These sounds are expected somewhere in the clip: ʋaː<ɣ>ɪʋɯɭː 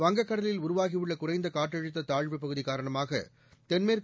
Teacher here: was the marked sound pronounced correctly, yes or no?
yes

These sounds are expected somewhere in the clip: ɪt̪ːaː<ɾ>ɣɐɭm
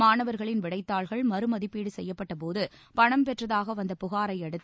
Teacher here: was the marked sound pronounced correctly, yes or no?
no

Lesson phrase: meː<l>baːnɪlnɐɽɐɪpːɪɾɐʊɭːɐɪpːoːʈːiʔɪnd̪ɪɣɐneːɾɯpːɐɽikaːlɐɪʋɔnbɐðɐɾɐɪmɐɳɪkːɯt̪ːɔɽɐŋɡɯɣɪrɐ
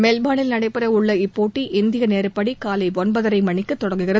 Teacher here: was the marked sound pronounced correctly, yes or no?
yes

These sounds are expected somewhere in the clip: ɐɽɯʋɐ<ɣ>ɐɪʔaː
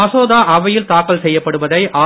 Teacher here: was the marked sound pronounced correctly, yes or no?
no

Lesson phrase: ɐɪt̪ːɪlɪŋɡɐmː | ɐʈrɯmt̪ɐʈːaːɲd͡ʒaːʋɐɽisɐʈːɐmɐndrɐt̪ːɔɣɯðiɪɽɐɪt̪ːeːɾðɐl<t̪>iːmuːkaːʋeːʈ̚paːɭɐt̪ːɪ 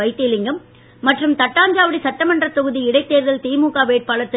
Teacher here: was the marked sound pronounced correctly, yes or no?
yes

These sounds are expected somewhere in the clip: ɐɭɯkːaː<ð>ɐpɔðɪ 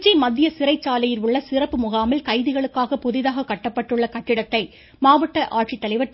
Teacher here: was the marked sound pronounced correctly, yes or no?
no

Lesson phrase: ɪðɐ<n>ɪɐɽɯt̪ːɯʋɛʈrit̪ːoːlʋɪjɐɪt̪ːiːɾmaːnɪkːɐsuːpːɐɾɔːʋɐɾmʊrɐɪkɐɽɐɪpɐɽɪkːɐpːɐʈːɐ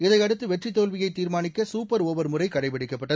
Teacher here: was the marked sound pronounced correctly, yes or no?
no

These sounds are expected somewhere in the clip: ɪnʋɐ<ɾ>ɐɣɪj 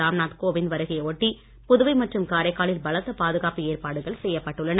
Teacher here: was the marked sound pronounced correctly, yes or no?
yes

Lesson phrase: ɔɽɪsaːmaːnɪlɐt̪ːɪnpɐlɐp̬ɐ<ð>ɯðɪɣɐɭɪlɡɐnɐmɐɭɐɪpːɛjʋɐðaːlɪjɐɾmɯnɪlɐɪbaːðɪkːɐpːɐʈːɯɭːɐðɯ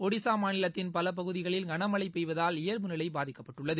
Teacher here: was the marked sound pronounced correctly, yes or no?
no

